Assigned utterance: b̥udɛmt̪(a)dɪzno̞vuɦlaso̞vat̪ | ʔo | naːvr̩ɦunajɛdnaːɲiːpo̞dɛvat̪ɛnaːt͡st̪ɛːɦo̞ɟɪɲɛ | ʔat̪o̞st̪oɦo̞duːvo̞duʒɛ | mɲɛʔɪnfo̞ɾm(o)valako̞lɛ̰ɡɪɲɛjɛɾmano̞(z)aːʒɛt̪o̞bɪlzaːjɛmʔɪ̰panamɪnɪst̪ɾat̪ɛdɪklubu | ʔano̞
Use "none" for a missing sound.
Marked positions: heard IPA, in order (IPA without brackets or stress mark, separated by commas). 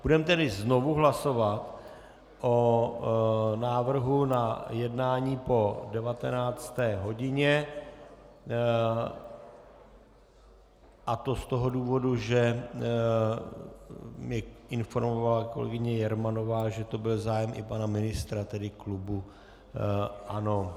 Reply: ɛ, o, v